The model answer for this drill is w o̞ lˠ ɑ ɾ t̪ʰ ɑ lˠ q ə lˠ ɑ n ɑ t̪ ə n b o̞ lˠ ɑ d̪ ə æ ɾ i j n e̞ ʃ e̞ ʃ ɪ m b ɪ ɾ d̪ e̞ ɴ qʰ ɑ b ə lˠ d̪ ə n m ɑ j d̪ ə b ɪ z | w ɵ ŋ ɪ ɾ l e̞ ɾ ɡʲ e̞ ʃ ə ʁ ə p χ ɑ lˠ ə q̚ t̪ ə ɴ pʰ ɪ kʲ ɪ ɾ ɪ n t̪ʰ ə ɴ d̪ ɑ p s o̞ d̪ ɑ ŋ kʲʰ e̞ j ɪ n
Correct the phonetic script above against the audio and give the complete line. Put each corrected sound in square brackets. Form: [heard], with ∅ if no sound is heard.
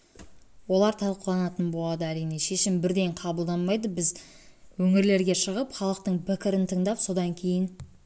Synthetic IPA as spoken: w o̞ lˠ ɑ ɾ t̪ʰ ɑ lˠ q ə lˠ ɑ n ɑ t̪ ə n b o̞ lˠ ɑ d̪ ə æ ɾ i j n e̞ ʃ e̞ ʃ ɪ m b ɪ ɾ d̪ e̞ ɴ qʰ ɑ b ə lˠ d̪ [ɑ] n m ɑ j d̪ ə b ɪ z | w ɵ ŋ ɪ ɾ l e̞ ɾ ɡʲ e̞ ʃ ə ʁ ə p χ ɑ lˠ ə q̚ t̪ ə ɴ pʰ ɪ kʲ ɪ ɾ ɪ n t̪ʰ ə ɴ d̪ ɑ p s o̞ d̪ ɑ ŋ kʲʰ e̞ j ɪ n

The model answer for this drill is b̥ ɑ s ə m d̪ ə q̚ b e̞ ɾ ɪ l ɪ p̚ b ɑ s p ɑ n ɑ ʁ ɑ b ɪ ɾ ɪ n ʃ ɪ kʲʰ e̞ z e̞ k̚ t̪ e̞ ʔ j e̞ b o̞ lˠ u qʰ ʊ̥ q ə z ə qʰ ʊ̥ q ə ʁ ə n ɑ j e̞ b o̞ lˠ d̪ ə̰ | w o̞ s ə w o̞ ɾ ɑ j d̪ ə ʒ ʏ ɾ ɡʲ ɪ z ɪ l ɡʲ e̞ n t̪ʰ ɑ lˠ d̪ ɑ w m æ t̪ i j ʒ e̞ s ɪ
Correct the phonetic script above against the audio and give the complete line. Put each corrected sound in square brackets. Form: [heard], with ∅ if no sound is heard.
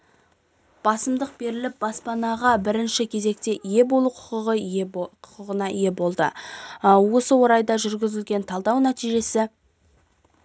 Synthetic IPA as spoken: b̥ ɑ s ə m d̪ ə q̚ b e̞ ɾ ɪ l ɪ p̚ b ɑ s p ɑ n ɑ ʁ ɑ b ɪ ɾ ɪ n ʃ ɪ kʲʰ e̞ z e̞ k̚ t̪ e̞ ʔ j e̞ b o̞ lˠ u qʰ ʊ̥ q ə [ʁ] ə qʰ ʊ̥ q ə ʁ ə n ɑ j e̞ b o̞ lˠ d̪ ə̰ | w o̞ s ə w o̞ ɾ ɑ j d̪ [ɑ] ʒ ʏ ɾ ɡʲ ɪ z ɪ l ɡʲ e̞ n t̪ʰ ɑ lˠ d̪ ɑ w [n] æ t̪ i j ʒ e̞ s ɪ

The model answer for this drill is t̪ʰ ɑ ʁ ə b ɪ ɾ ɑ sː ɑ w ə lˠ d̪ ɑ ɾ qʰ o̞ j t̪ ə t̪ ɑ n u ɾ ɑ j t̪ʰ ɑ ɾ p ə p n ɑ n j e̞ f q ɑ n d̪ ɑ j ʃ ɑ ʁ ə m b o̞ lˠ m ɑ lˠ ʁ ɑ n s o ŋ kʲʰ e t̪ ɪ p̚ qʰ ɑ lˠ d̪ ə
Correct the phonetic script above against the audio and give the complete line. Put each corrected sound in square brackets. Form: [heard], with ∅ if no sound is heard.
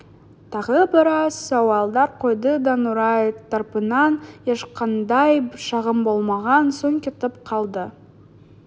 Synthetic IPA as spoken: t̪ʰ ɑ ʁ ə b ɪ ɾ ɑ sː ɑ w [ɑ] lˠ d̪ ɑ ɾ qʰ o̞ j [d̪] ə [d̪] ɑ n u ɾ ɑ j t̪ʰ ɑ ɾ p ə [∅] n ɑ n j e̞ [ʃ] q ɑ n d̪ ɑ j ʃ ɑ ʁ ə m b o̞ lˠ m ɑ [∅] ʁ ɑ n s o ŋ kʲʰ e t̪ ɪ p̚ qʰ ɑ lˠ d̪ ə

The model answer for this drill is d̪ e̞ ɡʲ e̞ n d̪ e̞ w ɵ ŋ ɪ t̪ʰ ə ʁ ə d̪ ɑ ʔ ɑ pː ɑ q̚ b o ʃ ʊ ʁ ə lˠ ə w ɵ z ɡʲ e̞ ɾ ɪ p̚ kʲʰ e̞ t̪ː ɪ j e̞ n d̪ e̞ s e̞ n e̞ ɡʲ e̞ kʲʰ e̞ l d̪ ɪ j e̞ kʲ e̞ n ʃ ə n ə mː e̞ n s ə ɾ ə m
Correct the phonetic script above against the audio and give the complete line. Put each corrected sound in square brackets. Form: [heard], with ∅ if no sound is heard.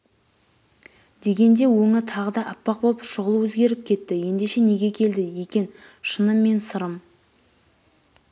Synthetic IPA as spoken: d̪ e̞ ɡʲ e̞ n d̪ e̞ w ɵ ŋ ɪ t̪ʰ [ɑ] ʁ ə d̪ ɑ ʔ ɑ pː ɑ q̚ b o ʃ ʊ ʁ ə lˠ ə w ɵ z ɡʲ e̞ ɾ ɪ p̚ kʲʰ e̞ t̪ː ɪ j e̞ n d̪ e̞ [ʃ] e̞ n e̞ ɡʲ e̞ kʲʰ e̞ l d̪ ɪ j e̞ kʲ e̞ n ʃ ə n ə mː e̞ n s ə ɾ ə m

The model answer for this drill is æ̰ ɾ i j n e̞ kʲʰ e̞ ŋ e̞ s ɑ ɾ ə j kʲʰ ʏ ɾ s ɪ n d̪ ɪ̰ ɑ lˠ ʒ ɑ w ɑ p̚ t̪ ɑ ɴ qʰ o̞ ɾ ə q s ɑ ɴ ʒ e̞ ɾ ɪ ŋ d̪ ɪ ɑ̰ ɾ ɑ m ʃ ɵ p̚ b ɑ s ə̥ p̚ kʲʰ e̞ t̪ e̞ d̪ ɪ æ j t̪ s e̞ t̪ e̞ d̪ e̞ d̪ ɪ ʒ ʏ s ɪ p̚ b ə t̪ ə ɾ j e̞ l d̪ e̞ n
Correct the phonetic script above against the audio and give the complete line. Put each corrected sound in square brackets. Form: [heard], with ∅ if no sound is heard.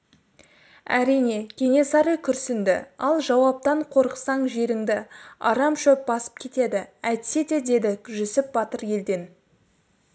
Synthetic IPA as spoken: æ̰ ɾ i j n e̞ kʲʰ e̞ ŋ e̞ s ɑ ɾ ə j kʲʰ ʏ ɾ s ɪ n d̪ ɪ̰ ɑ lˠ ʒ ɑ w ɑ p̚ t̪ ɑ ɴ qʰ o̞ ɾ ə q s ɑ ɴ ʒ e̞ ɾ ɪ ŋ d̪ ɪ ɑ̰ ɾ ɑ m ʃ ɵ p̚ b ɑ s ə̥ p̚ kʲʰ e̞ t̪ e̞ d̪ ɪ æ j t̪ s e̞ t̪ e̞ d̪ e̞ d̪ ɪ ʒ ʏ s ɪ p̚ b [ɑ] t̪ ə ɾ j e̞ l d̪ e̞ n

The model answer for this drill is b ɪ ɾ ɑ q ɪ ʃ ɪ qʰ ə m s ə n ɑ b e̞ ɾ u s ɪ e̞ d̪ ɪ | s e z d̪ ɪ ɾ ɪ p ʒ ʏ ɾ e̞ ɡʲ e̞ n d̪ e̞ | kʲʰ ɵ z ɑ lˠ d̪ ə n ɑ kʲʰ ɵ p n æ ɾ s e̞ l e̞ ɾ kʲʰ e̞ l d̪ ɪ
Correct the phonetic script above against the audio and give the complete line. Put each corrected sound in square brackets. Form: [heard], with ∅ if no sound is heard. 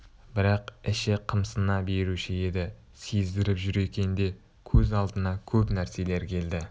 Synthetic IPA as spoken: b ɪ ɾ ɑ q ɪ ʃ ɪ qʰ ə m s ə n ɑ b e̞ ɾ u [ʃ] ɪ e̞ d̪ ɪ | s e z d̪ ɪ ɾ ɪ p ʒ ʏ ɾ e̞ [kʲ] e̞ n d̪ e̞ | kʲʰ ɵ z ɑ lˠ d̪ ə n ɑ kʲʰ ɵ p n æ ɾ s e̞ l e̞ ɾ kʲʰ e̞ l d̪ ɪ

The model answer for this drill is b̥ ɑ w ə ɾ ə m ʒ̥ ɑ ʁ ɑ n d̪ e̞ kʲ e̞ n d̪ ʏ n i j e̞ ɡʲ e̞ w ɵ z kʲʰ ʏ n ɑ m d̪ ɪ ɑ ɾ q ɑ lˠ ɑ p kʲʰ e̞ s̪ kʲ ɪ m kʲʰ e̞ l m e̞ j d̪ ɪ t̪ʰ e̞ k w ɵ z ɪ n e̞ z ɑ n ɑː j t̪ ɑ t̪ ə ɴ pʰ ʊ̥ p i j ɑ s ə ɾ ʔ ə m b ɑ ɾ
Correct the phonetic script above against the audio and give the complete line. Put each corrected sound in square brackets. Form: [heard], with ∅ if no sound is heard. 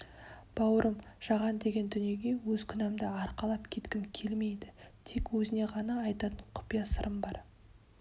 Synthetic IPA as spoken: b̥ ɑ w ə ɾ ə m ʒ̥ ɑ ʁ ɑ n d̪ e̞ [ɡʲ] e̞ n d̪ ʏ n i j e̞ ɡʲ e̞ w ɵ z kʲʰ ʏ n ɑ m d̪ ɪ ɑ ɾ q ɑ lˠ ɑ p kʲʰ e̞ [t̪] kʲ ɪ m kʲʰ e̞ l m e̞ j d̪ ɪ t̪ʰ e̞ k w ɵ z ɪ n e̞ [ʁ] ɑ n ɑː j t̪ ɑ t̪ ə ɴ [qʰ] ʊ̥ p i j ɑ s ə ɾ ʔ ə m b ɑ ɾ

